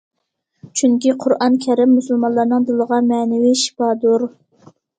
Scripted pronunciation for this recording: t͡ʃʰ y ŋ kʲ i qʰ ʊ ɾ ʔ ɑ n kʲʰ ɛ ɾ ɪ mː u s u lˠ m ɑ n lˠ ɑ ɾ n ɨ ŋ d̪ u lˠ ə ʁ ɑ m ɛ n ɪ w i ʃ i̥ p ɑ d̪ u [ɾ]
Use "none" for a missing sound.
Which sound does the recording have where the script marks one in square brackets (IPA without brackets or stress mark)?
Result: ɾ